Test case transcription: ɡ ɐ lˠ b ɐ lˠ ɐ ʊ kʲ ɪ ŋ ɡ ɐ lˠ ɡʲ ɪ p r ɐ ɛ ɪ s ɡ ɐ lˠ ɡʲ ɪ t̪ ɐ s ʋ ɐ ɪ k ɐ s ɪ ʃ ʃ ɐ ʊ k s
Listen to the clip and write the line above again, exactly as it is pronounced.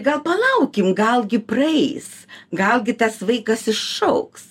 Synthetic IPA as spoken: ɡ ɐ lˠ p ɐ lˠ ɐ ʊ kʲ ɪ m ɡ ɐ lˠ ɡʲ ɪ p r ɐ ɛ ɪ s ɡ ɐ lˠ ɡʲ ɪ t̪ ɐ s ʋ ɐ ɪ k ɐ s ɪ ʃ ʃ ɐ ʊ k s